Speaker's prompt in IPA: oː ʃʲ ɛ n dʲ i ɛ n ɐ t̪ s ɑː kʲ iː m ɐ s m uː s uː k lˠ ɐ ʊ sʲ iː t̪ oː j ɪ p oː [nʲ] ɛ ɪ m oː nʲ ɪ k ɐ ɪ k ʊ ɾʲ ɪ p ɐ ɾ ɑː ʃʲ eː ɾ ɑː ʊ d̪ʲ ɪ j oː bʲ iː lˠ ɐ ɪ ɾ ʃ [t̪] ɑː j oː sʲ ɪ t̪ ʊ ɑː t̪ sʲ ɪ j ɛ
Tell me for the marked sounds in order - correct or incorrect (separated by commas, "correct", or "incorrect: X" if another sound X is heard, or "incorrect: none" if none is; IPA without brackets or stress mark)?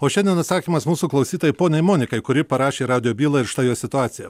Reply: correct, correct